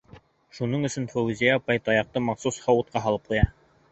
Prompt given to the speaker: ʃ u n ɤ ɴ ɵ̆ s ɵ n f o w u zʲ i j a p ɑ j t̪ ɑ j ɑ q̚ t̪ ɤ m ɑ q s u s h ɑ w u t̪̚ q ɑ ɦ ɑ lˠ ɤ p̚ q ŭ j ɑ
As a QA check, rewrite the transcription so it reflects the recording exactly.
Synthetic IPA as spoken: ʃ u n ɤ ɴ ɵ̆ s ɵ n f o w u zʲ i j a p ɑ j t̪ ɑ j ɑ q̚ t̪ ɤ m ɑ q s u s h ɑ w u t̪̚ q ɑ ɦ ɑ lˠ ɤ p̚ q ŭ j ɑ